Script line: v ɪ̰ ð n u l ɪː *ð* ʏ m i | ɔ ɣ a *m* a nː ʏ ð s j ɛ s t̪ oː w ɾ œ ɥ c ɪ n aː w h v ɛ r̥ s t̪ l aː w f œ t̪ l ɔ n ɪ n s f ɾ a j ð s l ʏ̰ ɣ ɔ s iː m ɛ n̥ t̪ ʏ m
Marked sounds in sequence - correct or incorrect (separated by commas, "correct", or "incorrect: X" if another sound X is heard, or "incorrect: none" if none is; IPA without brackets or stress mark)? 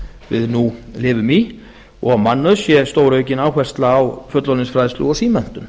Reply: incorrect: v, correct